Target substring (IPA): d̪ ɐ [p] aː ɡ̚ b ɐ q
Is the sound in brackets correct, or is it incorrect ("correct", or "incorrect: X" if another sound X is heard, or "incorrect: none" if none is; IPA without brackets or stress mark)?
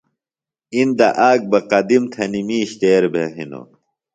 incorrect: ʔ